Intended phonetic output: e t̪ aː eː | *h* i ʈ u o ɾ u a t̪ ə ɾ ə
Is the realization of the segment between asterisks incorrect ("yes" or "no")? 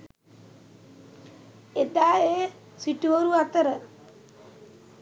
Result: yes